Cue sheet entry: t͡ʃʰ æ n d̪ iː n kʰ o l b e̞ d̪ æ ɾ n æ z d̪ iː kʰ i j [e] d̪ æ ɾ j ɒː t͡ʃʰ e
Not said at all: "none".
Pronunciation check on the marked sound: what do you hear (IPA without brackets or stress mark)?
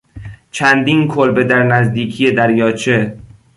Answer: e